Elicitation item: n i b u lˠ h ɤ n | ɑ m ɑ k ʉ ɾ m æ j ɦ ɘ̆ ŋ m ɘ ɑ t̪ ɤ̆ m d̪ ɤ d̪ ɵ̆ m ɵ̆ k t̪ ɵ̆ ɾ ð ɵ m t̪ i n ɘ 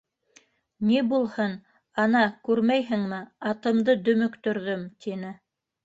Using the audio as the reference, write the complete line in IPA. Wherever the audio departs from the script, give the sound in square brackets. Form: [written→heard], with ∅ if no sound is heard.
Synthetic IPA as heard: n i b u lˠ h ɤ n | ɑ [m→n] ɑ k ʉ ɾ m æ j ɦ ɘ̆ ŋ m ɘ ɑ t̪ ɤ̆ m d̪ ɤ d̪ ɵ̆ m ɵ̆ k t̪ ɵ̆ ɾ ð ɵ m t̪ i n ɘ